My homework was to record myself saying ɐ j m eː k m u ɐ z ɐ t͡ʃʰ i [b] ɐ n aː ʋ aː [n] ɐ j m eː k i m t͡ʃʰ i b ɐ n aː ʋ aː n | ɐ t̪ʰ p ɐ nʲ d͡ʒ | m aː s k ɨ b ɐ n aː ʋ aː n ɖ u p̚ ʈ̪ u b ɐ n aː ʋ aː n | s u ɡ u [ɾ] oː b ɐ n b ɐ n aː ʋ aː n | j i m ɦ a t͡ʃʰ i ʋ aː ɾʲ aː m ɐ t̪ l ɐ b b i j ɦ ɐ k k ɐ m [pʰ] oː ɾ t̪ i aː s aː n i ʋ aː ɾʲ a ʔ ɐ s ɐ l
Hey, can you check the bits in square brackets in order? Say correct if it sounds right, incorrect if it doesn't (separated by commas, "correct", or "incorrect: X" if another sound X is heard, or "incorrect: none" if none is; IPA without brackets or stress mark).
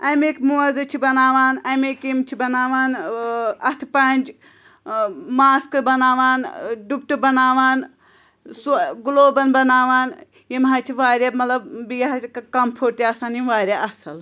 correct, correct, incorrect: l, correct